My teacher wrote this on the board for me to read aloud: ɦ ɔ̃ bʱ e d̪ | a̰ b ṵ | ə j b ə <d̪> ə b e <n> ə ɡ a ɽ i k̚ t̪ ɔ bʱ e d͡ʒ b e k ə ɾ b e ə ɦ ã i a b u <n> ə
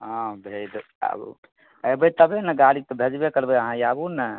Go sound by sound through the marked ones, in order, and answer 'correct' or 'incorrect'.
incorrect, correct, correct

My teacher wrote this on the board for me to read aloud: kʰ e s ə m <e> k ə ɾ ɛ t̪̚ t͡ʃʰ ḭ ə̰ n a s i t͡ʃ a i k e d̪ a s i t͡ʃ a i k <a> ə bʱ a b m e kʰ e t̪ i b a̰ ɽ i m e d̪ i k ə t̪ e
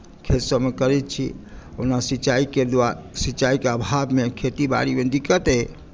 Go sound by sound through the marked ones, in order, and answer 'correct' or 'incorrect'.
correct, incorrect

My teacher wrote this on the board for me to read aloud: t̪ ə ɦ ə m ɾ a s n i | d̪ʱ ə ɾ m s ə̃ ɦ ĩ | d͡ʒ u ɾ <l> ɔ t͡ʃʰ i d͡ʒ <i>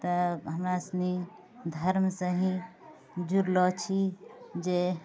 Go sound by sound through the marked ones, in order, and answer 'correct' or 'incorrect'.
correct, incorrect

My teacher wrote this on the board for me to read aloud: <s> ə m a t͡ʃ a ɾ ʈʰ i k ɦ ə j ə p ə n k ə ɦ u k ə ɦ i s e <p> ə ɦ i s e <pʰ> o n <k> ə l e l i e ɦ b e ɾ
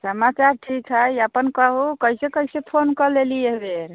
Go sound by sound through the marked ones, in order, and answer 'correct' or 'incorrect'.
correct, incorrect, correct, correct

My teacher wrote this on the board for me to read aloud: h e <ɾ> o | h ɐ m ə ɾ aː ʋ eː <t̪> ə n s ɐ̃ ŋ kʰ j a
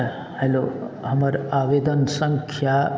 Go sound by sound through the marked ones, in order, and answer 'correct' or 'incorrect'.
incorrect, incorrect

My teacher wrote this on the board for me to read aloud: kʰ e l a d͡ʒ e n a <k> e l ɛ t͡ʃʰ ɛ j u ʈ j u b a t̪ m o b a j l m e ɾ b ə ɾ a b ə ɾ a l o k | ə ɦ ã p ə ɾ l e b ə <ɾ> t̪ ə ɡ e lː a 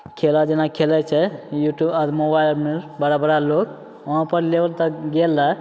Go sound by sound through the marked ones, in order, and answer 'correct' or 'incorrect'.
incorrect, incorrect

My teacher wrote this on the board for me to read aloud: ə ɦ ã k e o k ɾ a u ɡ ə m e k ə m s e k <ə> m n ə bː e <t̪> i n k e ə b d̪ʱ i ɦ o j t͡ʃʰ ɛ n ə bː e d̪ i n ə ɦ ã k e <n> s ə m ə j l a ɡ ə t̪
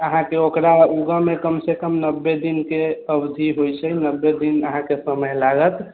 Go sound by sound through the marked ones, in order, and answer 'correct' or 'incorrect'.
correct, incorrect, incorrect

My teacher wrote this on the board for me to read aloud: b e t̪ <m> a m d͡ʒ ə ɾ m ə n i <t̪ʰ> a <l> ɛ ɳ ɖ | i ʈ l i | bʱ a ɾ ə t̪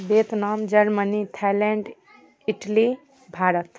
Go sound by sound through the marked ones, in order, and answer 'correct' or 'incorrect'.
incorrect, correct, correct

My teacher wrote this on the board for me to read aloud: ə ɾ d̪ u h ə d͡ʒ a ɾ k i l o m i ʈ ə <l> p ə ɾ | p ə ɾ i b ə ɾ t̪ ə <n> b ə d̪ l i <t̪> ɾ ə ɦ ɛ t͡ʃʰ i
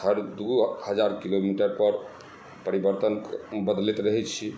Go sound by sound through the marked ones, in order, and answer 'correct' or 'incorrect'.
incorrect, correct, correct

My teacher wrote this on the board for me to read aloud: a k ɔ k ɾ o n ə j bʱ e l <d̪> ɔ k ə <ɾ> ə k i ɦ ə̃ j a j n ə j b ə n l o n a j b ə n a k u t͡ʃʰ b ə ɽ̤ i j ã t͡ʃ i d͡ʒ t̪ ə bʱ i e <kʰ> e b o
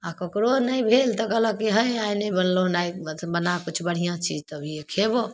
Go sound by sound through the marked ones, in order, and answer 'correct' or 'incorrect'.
incorrect, incorrect, correct

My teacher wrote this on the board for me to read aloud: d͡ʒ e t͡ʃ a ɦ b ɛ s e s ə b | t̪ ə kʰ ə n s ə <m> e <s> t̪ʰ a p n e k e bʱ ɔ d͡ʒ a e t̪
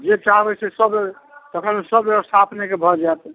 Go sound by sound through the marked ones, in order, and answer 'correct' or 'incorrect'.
incorrect, correct

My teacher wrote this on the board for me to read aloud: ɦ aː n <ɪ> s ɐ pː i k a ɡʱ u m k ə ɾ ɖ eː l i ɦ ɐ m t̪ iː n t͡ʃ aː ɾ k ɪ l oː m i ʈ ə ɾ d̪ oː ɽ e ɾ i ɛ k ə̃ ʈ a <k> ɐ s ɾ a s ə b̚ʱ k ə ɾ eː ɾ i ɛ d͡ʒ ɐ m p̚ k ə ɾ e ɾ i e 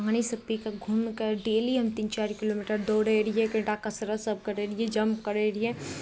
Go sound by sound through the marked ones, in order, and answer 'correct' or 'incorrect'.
incorrect, correct

